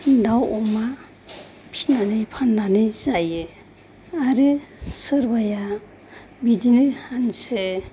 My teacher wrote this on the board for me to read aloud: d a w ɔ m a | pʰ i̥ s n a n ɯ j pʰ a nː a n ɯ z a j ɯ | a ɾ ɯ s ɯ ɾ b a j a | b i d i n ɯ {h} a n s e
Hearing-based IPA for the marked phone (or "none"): h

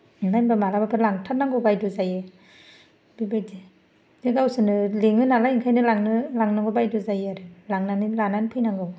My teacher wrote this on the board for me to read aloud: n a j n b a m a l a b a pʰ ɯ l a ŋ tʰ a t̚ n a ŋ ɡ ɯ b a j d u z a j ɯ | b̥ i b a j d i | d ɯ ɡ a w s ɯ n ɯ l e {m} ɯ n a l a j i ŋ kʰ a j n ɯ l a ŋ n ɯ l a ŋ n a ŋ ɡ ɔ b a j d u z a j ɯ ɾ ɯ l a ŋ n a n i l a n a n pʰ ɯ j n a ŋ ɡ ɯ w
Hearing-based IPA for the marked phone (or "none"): ŋ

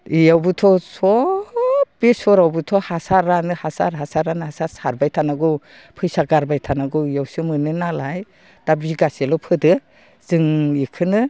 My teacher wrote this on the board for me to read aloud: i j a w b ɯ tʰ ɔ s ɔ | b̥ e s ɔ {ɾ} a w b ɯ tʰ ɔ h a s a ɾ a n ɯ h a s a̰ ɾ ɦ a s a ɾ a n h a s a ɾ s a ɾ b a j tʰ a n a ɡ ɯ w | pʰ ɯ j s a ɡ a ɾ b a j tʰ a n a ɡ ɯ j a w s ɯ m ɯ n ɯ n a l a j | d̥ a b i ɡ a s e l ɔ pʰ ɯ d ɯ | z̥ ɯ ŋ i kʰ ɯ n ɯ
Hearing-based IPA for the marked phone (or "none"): ɾ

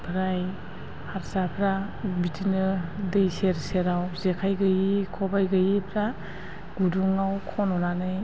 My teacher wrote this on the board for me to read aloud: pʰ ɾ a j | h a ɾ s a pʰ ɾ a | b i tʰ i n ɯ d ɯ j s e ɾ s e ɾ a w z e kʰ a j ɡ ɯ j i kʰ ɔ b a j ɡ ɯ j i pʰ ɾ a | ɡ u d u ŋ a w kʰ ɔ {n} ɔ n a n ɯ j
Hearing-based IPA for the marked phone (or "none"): n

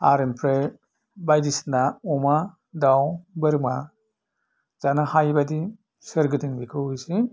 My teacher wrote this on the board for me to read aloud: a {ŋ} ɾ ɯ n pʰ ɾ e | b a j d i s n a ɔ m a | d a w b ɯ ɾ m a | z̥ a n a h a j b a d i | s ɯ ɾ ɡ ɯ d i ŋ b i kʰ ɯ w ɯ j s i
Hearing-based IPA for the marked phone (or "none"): none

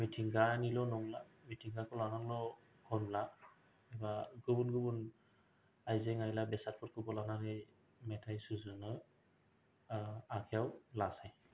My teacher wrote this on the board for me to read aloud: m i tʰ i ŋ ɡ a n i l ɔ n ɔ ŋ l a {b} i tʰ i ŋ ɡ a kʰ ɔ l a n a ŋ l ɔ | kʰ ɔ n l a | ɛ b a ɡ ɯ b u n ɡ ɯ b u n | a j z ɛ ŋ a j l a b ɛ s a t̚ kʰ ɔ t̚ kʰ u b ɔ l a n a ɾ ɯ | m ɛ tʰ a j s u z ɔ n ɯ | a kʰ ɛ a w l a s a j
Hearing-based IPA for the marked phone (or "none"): m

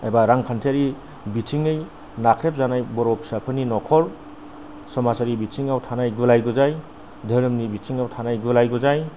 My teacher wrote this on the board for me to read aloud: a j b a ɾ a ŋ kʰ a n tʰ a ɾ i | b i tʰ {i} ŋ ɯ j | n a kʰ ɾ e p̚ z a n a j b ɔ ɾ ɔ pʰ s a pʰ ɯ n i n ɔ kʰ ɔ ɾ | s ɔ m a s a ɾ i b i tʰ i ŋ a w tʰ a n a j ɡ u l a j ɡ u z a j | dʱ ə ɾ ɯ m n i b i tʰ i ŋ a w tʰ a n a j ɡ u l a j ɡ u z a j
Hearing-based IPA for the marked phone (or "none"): i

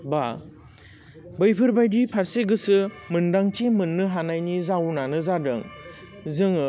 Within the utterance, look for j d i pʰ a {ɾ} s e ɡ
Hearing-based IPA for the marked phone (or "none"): ɾ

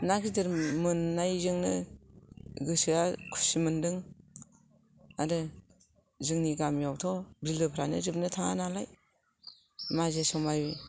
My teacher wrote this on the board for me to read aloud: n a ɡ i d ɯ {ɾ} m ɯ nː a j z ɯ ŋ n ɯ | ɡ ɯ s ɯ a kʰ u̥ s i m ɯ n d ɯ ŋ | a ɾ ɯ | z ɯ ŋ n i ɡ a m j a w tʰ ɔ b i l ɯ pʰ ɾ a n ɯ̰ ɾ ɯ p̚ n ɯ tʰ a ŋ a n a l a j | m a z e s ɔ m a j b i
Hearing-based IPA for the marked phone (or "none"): ɾ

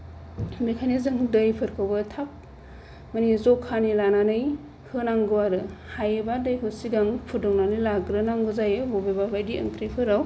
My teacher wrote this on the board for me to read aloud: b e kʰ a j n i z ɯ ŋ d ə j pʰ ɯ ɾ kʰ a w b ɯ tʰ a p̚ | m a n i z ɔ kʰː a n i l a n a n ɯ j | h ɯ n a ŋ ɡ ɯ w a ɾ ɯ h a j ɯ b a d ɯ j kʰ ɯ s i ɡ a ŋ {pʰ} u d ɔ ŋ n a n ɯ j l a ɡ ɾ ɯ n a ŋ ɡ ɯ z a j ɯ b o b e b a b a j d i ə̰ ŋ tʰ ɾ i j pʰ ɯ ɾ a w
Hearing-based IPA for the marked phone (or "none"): pʰ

